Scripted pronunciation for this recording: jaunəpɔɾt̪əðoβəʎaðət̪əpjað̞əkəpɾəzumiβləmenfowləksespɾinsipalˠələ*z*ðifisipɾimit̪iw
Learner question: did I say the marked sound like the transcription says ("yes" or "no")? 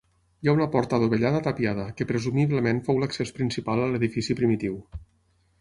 no